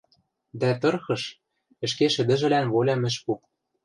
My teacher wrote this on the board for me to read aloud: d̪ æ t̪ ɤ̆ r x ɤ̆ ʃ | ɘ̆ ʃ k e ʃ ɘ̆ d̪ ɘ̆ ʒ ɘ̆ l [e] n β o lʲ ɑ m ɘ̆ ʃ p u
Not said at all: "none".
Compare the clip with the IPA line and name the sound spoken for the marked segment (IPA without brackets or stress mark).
æ